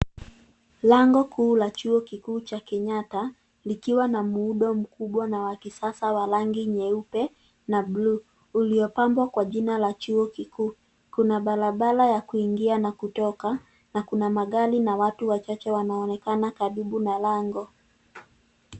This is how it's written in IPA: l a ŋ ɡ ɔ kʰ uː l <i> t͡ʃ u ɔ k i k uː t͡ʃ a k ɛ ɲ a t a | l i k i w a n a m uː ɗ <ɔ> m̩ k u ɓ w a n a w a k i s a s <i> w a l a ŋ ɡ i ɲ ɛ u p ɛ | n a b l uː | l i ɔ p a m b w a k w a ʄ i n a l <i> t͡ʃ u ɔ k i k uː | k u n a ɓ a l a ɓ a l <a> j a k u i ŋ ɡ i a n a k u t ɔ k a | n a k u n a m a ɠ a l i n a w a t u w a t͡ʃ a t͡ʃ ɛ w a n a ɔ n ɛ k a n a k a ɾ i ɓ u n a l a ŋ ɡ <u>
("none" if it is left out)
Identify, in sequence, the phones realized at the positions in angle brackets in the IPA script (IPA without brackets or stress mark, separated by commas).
a, ɔ, a, a, a, ɔ